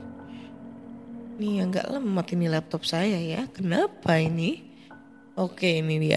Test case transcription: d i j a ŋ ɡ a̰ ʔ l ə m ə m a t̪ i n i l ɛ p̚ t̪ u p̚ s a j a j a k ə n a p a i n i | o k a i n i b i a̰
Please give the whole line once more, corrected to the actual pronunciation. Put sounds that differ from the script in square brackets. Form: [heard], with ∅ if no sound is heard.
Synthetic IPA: [n] i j a ŋ ɡ a̰ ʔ l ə m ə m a t̪ i n i l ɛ p̚ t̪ [ɔ] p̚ s a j a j a k ə n a p a i n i | o k [e] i n i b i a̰